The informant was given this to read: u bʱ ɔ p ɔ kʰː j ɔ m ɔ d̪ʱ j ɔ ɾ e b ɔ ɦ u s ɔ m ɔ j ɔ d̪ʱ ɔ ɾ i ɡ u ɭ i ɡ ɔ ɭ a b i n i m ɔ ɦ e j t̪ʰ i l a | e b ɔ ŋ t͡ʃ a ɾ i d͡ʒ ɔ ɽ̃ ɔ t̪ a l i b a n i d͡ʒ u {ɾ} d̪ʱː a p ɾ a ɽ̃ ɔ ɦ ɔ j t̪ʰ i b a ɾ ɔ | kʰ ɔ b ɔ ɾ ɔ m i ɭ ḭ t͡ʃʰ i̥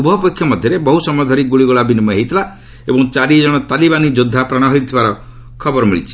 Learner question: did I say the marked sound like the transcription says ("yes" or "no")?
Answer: no